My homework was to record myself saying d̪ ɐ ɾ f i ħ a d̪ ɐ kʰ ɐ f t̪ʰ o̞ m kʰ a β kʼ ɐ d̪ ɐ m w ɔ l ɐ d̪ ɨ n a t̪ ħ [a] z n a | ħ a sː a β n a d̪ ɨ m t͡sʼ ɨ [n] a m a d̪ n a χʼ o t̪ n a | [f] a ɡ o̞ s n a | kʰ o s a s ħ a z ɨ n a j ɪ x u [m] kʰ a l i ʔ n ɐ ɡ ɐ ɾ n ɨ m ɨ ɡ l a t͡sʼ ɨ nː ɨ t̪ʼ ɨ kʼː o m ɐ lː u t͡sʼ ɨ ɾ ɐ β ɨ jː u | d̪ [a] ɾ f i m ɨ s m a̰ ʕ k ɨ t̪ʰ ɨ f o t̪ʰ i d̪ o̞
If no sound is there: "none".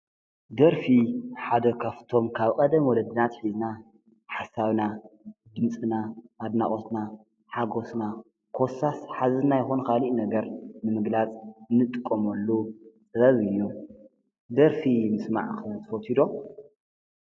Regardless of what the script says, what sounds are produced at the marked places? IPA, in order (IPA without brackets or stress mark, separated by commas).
i, n, ħ, n, ɐ